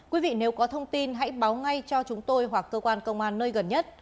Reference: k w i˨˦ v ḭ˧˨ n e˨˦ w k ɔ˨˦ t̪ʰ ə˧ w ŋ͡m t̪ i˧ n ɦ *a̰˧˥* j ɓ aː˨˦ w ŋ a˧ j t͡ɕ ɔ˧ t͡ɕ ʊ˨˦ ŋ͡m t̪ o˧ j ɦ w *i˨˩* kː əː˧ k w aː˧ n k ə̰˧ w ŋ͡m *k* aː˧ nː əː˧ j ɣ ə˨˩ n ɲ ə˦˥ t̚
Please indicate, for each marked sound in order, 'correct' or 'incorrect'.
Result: correct, incorrect, incorrect

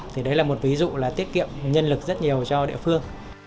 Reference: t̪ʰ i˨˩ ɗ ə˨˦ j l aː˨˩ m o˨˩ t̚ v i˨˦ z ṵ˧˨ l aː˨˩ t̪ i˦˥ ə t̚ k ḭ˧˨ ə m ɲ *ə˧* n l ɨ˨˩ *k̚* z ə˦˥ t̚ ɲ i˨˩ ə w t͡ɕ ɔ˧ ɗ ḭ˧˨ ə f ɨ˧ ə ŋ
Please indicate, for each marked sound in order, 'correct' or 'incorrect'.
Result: correct, correct

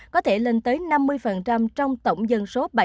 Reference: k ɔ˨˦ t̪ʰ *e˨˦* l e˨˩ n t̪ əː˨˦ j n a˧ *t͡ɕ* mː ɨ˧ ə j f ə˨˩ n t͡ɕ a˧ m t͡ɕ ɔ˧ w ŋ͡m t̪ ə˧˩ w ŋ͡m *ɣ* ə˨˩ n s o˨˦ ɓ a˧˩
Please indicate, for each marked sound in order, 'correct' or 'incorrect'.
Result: incorrect, incorrect, incorrect

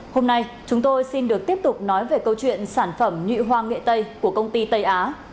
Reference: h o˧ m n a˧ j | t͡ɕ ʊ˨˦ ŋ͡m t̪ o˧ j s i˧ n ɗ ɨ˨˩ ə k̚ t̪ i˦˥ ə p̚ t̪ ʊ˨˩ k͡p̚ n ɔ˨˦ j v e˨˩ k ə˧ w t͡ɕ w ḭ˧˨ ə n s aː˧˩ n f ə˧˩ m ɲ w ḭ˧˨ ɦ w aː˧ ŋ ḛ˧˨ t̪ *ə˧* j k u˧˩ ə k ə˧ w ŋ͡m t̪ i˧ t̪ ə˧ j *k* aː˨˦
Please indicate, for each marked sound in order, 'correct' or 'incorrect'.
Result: correct, incorrect

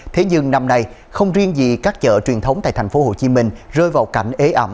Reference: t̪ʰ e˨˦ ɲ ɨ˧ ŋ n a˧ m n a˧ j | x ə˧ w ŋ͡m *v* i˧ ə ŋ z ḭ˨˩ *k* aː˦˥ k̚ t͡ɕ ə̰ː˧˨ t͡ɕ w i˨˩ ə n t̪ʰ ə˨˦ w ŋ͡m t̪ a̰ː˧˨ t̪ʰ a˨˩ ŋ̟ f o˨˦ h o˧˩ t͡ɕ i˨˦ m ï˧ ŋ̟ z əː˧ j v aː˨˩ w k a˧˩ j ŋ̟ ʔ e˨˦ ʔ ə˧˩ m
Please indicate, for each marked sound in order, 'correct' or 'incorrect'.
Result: incorrect, correct

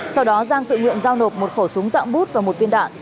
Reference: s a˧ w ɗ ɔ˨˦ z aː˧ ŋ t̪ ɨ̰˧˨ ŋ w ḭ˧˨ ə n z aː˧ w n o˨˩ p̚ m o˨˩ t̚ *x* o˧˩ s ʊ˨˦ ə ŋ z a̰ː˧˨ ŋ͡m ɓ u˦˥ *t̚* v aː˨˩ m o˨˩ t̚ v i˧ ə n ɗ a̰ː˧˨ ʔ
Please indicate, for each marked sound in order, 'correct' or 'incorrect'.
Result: correct, correct

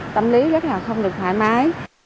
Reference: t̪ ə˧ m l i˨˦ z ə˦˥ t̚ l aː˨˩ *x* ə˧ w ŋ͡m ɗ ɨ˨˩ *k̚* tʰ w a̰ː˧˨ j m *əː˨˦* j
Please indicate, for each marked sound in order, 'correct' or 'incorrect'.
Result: correct, correct, incorrect

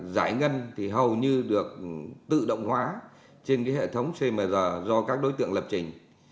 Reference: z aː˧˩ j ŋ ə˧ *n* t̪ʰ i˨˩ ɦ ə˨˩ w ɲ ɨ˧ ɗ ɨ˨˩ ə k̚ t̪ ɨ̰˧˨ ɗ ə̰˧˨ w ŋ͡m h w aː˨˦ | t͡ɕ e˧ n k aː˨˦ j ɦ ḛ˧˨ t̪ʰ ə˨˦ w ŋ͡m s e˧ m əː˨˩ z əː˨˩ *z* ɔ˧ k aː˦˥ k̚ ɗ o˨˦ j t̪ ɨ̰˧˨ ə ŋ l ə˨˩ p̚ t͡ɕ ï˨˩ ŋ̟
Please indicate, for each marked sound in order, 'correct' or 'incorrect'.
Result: correct, correct

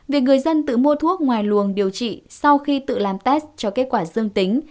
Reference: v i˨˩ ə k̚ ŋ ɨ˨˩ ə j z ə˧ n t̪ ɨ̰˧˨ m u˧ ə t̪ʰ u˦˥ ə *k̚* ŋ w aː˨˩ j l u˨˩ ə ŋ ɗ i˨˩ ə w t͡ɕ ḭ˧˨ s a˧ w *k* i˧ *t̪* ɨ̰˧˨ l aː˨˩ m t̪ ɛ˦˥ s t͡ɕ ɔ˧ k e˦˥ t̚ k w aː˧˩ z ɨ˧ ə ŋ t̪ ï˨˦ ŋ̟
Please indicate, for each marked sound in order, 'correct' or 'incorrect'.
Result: correct, incorrect, correct

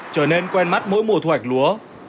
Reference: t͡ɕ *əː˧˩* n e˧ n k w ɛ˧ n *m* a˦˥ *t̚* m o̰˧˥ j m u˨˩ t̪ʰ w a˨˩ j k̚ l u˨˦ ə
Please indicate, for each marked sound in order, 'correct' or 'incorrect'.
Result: correct, correct, correct

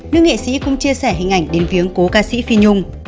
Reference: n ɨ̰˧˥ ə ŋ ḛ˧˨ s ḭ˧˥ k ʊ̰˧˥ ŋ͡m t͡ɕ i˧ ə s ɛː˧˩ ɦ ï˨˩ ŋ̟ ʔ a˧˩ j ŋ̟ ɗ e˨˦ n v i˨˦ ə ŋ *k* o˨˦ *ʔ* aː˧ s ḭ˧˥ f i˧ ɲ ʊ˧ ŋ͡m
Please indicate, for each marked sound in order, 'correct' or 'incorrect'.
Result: correct, incorrect

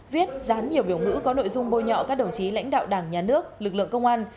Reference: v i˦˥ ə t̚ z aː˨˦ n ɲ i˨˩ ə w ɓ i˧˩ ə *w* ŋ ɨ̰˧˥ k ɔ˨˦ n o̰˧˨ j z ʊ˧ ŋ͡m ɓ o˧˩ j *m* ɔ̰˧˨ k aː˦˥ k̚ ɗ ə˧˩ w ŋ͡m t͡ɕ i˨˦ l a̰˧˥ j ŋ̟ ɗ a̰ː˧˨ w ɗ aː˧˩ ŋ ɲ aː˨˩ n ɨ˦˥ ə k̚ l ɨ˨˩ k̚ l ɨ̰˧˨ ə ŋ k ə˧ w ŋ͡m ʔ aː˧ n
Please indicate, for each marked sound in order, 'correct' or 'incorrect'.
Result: correct, incorrect

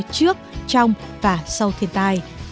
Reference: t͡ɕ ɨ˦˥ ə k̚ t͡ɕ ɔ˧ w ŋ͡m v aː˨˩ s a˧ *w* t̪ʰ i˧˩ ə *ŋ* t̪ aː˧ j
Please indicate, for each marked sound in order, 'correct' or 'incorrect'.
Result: correct, incorrect

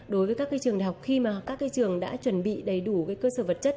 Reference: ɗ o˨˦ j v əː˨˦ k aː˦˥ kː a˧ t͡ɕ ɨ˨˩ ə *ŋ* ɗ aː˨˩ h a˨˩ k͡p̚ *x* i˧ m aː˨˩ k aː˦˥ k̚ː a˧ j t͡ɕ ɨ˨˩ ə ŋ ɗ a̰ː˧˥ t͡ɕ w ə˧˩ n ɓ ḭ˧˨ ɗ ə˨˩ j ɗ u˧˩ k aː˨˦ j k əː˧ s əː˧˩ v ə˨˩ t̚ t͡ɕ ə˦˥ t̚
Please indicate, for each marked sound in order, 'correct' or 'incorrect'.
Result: correct, correct

